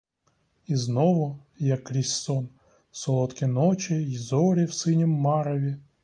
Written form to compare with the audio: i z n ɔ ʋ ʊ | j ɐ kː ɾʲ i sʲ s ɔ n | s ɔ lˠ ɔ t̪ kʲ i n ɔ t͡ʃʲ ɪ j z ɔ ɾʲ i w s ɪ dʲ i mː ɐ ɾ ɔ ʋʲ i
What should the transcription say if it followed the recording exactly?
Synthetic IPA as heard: i z n ɔ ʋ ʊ | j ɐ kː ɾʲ i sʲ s ɔ n | s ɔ lˠ ɔ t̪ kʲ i n ɔ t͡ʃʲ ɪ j z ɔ ɾʲ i w s ɪ nʲ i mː ɑ ɾ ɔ ʋʲ i